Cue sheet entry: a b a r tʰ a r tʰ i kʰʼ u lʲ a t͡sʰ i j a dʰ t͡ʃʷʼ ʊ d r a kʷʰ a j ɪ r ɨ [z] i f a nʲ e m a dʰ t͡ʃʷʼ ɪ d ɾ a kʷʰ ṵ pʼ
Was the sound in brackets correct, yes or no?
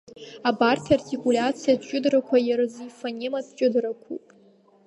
yes